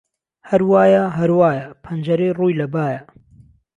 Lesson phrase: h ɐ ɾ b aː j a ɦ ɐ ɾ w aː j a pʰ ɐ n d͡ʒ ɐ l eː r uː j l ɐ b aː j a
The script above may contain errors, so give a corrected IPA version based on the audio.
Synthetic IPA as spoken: h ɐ ɾ w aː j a ɦ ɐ ɾ w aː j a pʰ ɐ n d͡ʒ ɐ ɾ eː r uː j l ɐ b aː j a